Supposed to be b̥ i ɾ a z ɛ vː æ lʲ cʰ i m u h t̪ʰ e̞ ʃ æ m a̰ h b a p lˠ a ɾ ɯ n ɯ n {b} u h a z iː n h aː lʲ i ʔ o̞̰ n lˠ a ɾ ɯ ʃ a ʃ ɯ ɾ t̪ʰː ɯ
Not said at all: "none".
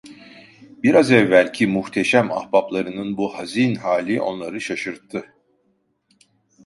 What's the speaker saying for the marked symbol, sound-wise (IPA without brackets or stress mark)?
b